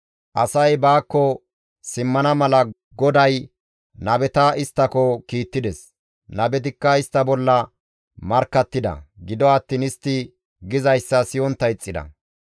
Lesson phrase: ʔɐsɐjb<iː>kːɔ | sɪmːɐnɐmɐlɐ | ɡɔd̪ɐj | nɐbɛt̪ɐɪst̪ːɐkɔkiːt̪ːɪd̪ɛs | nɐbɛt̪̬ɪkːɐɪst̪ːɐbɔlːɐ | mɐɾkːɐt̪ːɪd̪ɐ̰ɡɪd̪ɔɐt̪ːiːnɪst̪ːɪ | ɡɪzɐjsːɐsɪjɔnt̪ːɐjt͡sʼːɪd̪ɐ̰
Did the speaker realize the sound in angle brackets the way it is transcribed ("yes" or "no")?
no